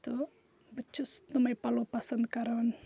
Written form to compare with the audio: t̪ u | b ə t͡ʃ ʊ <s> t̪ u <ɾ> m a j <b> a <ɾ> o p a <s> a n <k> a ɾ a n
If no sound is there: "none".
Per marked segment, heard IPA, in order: s, none, p, l, s, k

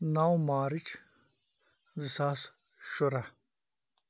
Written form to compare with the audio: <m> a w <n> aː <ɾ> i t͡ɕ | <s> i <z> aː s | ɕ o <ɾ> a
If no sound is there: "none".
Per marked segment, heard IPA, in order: n, m, ɾ, z, s, ɾ

